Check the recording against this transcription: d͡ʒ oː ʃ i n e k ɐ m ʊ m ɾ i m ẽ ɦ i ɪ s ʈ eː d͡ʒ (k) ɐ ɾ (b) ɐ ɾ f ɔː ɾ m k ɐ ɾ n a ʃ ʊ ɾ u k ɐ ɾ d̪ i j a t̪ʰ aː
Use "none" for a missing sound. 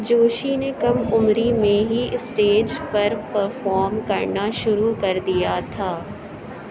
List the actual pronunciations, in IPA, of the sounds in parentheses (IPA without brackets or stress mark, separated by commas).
p, p